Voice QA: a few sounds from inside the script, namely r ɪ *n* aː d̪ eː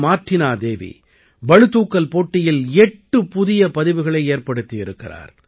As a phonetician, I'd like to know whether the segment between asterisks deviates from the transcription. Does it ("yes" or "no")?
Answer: no